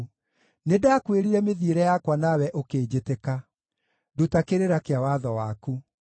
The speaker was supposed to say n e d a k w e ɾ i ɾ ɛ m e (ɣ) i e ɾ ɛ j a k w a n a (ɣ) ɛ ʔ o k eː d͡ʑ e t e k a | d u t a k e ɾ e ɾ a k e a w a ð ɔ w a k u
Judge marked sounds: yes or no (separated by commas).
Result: no, no